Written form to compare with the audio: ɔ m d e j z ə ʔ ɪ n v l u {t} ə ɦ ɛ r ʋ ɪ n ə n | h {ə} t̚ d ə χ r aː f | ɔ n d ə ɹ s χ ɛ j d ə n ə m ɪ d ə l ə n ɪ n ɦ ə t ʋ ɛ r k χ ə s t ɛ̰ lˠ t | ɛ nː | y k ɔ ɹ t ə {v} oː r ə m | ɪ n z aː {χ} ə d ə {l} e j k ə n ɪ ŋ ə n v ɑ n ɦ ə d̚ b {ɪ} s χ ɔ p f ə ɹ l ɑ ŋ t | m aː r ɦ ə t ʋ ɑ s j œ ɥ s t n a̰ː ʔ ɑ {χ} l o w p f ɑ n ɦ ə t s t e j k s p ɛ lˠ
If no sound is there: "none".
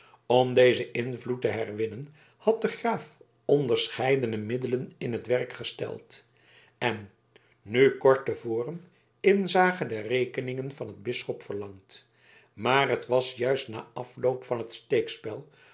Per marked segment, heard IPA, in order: t, ɑ, v, χ, r, ɪ, f

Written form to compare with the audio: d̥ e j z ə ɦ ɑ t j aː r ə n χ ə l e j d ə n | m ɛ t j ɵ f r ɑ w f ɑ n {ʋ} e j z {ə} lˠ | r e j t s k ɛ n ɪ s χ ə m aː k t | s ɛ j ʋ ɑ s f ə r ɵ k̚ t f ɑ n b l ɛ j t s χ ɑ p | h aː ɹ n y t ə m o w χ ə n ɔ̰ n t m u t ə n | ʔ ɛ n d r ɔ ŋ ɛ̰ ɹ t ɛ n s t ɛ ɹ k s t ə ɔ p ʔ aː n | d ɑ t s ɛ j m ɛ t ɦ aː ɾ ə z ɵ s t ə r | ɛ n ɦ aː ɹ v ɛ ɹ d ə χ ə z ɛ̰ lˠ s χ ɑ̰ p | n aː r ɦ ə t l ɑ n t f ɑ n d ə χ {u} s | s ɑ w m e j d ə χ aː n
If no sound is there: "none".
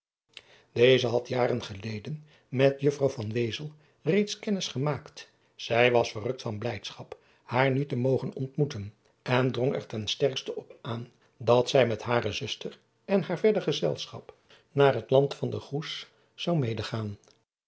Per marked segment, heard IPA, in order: ʋ, ə, u

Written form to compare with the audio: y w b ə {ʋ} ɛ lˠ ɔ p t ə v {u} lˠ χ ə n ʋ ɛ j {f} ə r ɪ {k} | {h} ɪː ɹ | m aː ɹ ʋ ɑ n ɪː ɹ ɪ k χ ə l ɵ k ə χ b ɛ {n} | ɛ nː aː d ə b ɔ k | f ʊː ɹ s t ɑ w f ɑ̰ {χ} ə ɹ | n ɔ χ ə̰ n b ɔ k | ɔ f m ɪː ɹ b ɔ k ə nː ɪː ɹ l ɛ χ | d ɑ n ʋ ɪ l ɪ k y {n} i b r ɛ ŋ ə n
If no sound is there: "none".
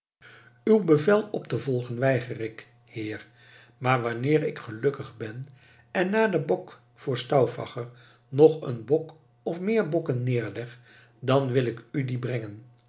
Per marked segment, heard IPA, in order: v, ɔ, χ, k, h, n, χ, d

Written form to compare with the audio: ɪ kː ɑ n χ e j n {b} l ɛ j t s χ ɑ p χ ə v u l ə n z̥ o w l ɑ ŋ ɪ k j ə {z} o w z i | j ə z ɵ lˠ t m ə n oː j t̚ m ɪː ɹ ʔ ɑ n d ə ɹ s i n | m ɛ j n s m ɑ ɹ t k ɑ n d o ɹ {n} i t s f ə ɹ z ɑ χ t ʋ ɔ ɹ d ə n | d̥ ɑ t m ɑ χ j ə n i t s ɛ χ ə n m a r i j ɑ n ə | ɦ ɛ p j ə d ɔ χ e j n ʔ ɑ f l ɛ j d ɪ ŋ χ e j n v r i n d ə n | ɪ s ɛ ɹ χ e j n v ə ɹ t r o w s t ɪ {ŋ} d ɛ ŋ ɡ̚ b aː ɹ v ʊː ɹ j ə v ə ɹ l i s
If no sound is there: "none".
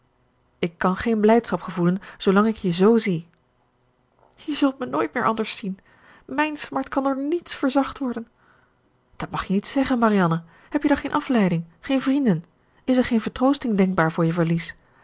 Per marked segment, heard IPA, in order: b, z, n, ŋ

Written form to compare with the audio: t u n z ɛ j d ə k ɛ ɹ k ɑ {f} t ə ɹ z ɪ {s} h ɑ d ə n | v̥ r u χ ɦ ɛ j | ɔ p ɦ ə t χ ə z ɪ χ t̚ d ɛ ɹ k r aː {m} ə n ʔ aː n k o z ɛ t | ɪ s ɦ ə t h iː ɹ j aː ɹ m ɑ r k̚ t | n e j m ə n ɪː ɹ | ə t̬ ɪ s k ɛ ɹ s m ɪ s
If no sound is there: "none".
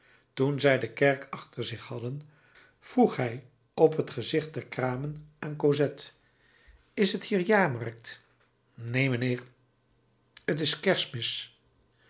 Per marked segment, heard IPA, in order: χ, χ, m

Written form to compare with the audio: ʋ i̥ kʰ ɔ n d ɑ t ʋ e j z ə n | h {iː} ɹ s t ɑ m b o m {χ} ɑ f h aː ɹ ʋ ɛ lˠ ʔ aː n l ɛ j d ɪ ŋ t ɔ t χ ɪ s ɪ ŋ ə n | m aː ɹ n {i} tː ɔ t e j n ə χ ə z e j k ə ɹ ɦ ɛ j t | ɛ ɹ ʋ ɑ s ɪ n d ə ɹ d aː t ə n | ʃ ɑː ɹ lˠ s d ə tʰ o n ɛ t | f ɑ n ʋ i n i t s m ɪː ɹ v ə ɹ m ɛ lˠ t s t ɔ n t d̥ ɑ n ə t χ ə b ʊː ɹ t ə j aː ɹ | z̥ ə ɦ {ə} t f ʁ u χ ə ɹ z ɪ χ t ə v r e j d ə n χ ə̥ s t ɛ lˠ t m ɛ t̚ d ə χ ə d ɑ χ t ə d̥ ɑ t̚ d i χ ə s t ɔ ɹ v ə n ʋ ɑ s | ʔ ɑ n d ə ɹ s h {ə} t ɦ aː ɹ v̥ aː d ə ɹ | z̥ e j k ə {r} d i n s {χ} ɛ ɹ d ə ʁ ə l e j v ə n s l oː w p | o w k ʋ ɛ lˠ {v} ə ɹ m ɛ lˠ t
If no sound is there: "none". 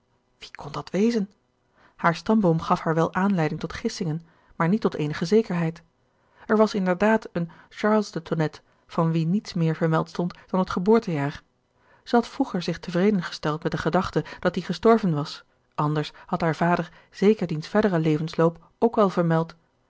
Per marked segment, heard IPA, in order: aː, χ, i, ɑ, ɑ, ɹ, f, v

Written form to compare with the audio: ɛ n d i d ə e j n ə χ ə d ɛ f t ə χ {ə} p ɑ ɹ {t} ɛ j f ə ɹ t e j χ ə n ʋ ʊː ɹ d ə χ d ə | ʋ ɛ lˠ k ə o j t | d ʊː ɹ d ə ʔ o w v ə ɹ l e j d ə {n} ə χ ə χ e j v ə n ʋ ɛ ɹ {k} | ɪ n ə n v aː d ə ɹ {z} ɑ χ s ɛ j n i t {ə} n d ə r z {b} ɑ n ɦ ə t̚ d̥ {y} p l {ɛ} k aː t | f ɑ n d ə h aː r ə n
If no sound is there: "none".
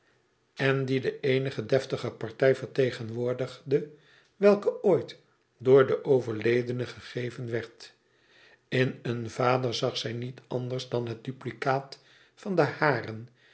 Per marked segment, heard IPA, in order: ə, t, n, t, z, ɑ, d, y, i

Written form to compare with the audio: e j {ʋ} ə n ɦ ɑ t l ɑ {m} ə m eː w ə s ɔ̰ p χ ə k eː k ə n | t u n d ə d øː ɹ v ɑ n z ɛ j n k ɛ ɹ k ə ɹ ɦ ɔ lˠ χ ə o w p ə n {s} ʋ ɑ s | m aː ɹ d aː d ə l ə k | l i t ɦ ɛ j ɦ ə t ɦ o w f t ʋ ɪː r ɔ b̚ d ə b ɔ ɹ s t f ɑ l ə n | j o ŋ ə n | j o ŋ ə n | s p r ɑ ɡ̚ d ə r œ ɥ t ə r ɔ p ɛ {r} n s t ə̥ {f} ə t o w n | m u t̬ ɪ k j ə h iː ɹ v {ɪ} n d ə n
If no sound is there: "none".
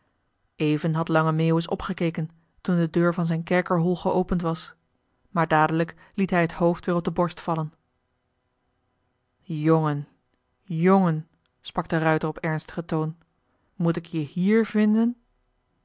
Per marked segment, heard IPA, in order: v, ŋ, t, ɹ, χ, ɪ

